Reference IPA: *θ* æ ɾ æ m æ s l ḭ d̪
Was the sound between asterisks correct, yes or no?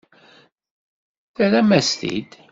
yes